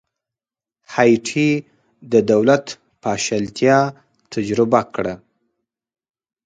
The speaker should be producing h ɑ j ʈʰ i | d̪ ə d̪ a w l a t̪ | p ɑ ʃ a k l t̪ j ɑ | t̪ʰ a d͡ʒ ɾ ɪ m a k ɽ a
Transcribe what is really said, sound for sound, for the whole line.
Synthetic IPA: h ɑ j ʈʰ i | d̪ ə d̪ a w l a t̪ | p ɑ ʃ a l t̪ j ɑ | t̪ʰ a d͡ʒ ɾ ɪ b a k ɽ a